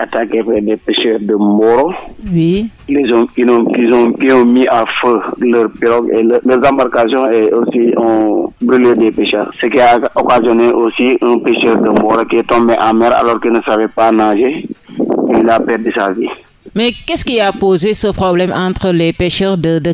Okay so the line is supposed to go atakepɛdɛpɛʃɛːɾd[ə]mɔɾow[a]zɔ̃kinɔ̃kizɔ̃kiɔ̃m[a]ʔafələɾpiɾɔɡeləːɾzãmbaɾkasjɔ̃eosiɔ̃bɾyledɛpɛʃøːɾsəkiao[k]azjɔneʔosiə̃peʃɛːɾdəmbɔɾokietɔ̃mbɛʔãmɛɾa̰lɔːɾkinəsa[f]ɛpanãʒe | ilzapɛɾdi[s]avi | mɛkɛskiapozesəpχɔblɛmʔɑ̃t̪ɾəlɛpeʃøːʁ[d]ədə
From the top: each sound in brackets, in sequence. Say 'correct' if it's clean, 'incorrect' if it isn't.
correct, incorrect: i, incorrect: i, correct, incorrect: v, correct, correct

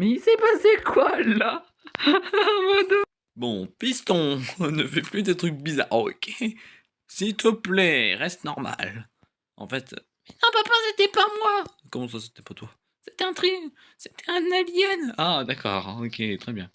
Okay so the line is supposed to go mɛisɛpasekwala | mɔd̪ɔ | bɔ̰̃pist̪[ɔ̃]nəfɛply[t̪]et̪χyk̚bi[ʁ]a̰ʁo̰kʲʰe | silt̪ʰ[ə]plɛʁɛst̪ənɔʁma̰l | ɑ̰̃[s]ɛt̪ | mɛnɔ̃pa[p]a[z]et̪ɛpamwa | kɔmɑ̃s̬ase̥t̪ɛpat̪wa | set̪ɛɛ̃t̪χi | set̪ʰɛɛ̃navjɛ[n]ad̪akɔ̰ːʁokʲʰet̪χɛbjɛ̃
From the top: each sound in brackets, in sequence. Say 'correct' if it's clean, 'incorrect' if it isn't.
correct, incorrect: d̪, incorrect: z, correct, incorrect: f, correct, incorrect: s, correct

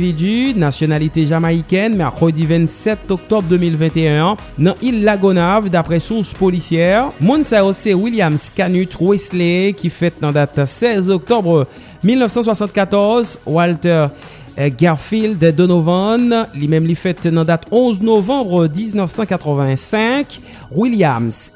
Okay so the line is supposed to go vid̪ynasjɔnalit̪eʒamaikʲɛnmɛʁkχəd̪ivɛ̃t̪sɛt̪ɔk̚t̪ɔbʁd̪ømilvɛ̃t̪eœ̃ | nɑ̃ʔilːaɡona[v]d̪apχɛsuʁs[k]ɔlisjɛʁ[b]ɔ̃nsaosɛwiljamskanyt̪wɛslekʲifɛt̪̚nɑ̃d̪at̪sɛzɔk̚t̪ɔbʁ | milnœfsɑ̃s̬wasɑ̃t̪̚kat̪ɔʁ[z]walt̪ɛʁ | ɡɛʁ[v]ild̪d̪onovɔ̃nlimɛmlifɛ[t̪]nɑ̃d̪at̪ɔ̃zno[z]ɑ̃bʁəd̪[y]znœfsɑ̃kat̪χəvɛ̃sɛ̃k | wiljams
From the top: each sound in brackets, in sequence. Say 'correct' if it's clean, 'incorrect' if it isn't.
correct, incorrect: p, incorrect: m, correct, incorrect: f, correct, incorrect: v, incorrect: i

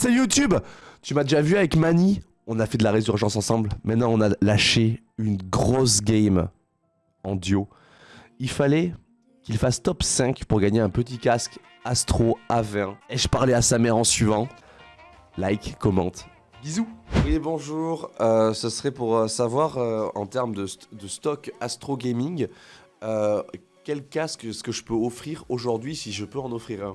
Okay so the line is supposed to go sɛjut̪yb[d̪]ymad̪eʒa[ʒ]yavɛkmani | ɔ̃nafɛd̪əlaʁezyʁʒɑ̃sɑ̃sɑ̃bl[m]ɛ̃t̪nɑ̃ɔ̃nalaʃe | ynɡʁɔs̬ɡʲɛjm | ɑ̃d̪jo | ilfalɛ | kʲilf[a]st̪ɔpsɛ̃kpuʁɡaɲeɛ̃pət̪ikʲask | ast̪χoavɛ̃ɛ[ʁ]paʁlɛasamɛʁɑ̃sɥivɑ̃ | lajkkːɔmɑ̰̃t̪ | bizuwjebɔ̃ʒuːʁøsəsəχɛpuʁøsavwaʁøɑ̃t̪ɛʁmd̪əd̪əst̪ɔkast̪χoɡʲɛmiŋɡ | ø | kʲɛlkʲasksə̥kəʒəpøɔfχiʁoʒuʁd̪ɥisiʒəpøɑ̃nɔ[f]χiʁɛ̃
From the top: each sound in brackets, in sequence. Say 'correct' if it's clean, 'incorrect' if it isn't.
incorrect: t̪, incorrect: v, correct, correct, incorrect: ʒ, correct

